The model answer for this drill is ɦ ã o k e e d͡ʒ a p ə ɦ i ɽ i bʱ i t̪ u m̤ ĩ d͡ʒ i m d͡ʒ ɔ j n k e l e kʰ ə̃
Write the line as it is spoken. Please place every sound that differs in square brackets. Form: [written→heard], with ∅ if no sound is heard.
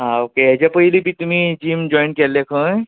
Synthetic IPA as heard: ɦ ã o k e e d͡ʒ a p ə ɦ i [ɽ→l] i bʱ i t̪ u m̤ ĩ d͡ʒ i m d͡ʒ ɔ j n k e l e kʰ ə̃

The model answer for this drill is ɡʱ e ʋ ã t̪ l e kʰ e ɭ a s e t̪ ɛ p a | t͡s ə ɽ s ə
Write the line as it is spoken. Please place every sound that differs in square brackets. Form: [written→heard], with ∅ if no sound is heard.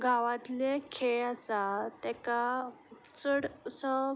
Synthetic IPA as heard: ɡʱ [e→a] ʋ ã t̪ l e kʰ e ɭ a s [e→a] t̪ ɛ [p→k] a | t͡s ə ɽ s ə

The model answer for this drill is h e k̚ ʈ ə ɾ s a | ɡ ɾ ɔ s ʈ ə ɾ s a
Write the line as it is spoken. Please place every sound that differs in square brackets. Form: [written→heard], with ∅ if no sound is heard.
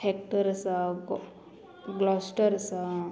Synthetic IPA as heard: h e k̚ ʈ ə ɾ s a | ɡ [ɾ→l] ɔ s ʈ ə ɾ s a

